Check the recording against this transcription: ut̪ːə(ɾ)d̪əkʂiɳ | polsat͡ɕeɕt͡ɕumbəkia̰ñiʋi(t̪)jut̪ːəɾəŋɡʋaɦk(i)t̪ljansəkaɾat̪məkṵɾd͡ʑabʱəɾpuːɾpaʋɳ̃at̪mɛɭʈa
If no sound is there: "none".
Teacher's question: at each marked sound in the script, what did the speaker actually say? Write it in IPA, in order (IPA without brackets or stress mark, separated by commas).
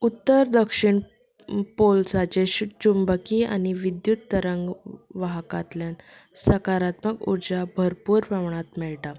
ɾ, d̪, a